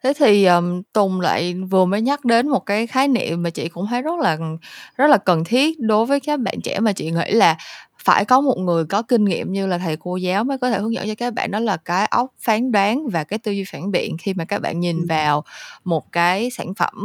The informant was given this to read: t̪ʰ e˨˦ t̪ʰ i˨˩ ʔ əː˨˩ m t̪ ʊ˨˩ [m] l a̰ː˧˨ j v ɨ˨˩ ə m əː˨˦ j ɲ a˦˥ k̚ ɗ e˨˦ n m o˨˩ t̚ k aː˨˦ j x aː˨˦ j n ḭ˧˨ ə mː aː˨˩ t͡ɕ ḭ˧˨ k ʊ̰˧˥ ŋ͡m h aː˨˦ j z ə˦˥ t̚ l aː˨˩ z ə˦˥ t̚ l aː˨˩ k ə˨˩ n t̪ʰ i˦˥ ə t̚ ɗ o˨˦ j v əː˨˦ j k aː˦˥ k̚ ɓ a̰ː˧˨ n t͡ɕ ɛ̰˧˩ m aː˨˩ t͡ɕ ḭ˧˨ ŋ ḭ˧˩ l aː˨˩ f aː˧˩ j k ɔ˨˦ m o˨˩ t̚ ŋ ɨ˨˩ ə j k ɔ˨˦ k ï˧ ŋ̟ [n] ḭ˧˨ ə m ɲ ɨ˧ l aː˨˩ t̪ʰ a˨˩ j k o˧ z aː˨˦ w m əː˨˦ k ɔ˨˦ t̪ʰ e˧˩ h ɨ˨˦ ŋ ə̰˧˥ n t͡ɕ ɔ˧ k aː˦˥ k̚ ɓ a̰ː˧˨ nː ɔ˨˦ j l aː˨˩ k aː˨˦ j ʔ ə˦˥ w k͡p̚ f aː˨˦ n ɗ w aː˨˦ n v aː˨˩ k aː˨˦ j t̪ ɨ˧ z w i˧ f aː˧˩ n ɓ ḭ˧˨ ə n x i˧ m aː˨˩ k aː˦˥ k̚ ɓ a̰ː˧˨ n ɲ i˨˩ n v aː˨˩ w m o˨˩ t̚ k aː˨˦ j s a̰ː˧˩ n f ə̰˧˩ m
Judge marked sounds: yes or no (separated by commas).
no, no